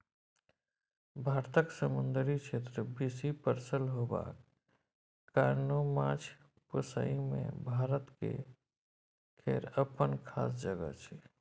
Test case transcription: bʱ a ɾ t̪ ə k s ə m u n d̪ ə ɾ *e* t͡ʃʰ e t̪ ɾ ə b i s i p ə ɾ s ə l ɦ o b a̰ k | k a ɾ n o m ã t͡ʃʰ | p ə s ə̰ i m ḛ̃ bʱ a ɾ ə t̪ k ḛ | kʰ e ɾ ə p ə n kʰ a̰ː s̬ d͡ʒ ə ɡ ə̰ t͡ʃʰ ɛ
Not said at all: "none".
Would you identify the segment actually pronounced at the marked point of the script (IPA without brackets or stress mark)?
i